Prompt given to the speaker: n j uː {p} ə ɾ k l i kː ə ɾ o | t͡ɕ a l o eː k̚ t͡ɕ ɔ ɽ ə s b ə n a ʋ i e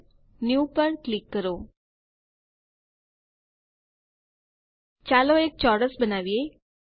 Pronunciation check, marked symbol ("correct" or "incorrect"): correct